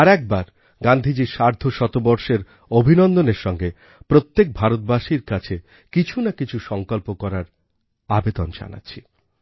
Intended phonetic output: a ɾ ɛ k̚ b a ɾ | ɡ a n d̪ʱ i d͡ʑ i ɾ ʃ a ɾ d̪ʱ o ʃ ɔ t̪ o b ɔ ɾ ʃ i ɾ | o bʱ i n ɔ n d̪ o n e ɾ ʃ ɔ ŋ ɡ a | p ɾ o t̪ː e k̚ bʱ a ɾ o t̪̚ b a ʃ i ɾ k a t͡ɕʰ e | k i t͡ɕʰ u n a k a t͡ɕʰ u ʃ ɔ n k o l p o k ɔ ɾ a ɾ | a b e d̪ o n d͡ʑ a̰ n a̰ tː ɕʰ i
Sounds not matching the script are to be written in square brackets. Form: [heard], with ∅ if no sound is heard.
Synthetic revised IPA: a ɾ ɛ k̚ b a ɾ | ɡ a n d̪ʱ i d͡ʑ i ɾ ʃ a ɾ d̪ʱ o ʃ ɔ t̪ o b ɔ ɾ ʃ [e] ɾ | o bʱ i n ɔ n d̪ o n e ɾ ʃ ɔ ŋ ɡ [e] | p ɾ o t̪ː e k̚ bʱ a ɾ o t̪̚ b a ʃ i ɾ k a t͡ɕʰ e | k i t͡ɕʰ u n a k [i] t͡ɕʰ u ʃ ɔ [ŋ] k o l p o k ɔ ɾ a ɾ | a b e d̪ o n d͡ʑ a̰ n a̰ tː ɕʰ i